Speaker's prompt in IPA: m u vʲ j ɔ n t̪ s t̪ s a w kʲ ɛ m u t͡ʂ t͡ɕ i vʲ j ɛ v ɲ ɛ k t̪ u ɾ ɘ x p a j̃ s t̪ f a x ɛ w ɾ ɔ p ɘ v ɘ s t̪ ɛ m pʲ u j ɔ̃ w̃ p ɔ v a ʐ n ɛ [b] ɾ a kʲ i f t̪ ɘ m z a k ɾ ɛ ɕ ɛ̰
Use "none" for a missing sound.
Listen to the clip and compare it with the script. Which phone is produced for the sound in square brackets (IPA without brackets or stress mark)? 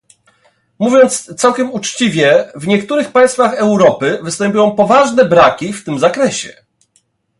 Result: b